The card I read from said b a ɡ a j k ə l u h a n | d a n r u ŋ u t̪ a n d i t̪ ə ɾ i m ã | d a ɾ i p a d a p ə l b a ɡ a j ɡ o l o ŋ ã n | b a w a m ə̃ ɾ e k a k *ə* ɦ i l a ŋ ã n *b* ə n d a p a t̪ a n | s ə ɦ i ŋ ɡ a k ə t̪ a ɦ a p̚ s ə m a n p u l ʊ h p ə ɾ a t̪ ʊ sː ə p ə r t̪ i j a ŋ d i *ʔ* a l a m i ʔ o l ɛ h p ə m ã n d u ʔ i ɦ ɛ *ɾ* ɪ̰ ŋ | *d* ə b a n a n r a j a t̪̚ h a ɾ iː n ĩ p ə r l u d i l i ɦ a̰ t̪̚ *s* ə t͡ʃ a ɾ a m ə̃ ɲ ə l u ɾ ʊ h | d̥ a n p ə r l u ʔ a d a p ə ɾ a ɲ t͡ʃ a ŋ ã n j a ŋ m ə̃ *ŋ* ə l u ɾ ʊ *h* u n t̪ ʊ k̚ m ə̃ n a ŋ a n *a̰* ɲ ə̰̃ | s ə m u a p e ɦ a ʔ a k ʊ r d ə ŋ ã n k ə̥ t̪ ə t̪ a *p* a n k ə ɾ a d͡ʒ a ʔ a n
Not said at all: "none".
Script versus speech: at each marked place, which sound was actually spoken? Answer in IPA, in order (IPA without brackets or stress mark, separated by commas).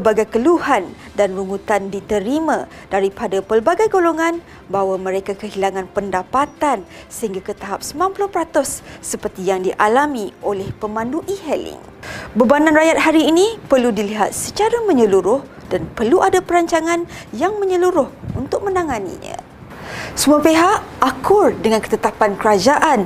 ə, p, ʔ, l, b, s, ɲ, h, ḭ, p